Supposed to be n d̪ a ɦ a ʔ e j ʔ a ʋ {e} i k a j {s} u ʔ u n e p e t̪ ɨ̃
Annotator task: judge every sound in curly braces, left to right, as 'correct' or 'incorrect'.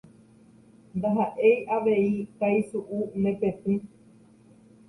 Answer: correct, correct

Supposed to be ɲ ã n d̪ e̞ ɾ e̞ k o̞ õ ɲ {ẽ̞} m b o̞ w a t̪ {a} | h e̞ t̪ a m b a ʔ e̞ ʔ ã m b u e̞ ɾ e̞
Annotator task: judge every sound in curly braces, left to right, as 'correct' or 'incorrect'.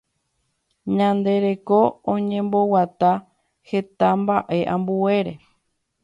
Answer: correct, correct

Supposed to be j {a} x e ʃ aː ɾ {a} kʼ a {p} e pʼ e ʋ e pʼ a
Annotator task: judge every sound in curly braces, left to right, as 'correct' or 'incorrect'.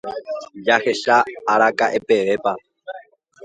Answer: correct, correct, incorrect: ʔ

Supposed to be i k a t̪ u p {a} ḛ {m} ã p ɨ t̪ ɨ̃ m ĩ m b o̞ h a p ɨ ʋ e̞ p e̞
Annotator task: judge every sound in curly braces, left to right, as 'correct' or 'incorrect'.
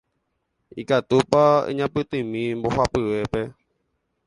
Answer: correct, incorrect: ɲ

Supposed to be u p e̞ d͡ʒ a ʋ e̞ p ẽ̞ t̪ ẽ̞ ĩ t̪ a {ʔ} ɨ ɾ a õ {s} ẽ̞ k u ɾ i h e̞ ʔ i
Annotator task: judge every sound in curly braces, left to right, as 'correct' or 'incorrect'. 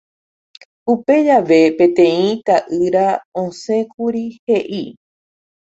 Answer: correct, correct

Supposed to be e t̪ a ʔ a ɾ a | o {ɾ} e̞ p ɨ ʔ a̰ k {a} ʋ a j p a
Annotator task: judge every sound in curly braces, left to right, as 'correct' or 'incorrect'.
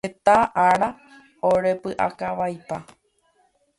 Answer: correct, correct

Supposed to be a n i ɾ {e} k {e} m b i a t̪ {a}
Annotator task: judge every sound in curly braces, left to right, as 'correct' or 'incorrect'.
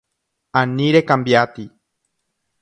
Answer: correct, incorrect: a, incorrect: i

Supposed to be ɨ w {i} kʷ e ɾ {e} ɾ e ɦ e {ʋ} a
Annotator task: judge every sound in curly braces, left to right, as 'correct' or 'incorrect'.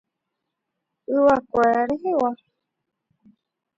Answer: incorrect: a, incorrect: a, incorrect: w

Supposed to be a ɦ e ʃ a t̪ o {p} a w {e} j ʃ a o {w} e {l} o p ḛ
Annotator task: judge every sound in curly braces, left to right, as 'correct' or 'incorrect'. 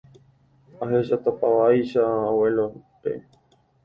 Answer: correct, incorrect: a, correct, correct

